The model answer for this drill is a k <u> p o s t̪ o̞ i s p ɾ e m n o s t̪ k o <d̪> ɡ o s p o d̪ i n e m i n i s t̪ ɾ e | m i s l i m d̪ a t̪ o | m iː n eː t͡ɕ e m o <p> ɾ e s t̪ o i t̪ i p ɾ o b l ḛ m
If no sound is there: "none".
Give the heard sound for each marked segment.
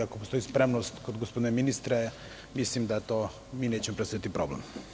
o, d̪, p

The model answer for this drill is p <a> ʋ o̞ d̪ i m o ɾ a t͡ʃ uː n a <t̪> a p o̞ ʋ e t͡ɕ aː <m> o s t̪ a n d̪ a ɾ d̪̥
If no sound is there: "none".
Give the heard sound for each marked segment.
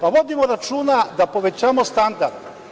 a, d̪, m

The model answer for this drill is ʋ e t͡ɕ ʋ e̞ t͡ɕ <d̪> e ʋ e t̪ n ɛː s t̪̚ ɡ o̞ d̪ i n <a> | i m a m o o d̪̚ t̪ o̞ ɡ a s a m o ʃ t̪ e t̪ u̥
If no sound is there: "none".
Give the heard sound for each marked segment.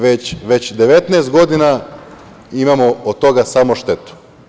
d̪, a

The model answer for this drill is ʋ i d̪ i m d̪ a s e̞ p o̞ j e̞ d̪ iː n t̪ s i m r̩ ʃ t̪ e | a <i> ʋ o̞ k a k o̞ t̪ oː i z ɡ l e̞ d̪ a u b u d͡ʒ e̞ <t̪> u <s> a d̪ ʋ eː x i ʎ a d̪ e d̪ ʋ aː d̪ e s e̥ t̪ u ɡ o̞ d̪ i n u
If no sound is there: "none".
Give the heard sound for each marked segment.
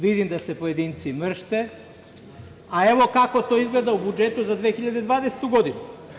e, t̪, z

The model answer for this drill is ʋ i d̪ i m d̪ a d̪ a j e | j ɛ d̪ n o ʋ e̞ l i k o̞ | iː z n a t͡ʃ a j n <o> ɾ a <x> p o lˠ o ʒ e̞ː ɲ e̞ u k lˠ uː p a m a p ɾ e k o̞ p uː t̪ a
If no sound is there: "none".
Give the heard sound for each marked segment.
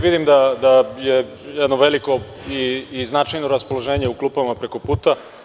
o, s

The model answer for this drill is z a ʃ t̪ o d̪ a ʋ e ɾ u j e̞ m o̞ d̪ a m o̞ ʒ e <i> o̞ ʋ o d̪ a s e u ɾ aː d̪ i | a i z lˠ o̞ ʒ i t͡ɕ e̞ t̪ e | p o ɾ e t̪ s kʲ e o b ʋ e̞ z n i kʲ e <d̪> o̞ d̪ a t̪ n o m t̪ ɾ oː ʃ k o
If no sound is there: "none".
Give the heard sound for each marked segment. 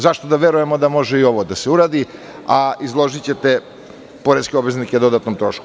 i, d̪

